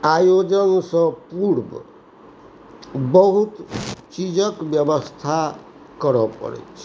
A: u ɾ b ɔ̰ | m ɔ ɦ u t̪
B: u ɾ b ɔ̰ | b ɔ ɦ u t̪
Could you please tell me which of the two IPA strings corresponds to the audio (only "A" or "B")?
B